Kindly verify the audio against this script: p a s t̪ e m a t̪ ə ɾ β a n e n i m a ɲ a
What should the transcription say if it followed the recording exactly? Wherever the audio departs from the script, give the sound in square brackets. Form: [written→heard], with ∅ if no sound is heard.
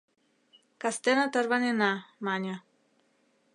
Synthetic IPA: [p→k] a s t̪ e [m→n] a t̪ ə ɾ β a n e n [i→a] m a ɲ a